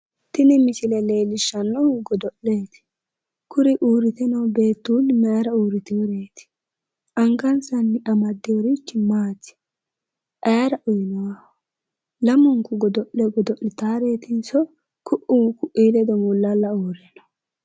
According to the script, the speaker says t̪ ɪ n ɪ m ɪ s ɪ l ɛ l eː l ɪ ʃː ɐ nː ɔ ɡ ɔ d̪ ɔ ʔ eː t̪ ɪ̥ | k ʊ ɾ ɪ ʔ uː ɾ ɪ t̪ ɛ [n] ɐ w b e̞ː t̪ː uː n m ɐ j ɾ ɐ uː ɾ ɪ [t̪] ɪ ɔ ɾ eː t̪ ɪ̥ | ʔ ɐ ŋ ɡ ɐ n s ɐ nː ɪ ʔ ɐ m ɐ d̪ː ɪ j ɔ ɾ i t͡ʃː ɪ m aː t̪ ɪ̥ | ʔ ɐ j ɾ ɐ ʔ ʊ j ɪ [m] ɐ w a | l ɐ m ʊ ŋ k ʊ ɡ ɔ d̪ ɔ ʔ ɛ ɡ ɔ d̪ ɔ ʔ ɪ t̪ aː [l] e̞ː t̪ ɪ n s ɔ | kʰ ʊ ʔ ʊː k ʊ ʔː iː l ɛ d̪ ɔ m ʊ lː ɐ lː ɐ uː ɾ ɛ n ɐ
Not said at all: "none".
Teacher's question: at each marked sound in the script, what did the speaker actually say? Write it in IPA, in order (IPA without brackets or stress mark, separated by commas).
n, t̪, n, ɾ